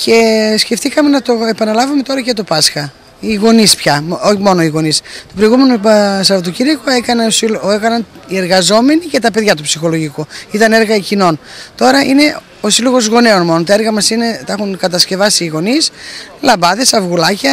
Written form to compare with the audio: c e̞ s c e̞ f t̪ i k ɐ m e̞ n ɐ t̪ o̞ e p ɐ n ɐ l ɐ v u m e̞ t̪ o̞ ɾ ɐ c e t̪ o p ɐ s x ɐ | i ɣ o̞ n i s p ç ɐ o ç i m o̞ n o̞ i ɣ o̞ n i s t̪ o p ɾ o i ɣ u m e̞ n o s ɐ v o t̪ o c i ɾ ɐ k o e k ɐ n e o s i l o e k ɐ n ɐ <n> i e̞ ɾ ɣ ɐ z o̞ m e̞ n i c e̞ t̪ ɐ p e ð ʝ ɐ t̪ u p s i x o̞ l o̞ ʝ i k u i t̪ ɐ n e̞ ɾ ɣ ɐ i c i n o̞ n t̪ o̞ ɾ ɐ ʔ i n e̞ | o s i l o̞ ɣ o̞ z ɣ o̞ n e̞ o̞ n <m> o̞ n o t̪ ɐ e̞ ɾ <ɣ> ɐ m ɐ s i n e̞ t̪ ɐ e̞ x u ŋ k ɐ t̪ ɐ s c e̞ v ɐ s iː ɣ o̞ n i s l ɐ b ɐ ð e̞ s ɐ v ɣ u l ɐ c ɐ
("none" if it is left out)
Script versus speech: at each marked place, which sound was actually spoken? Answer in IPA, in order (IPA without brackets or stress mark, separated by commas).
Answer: n, m, ɣ